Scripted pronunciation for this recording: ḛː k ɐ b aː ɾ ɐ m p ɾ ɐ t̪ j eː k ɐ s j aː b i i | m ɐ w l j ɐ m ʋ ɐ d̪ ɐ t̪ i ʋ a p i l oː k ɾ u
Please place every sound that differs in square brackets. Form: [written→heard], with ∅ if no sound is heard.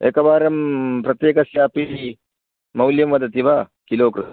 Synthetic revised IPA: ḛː k ɐ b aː ɾ ɐ m p ɾ ɐ t̪ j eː k ɐ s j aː [b→p] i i | m ɐ w l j ɐ m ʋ ɐ d̪ ɐ t̪ i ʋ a [p→k] i l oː k ɾ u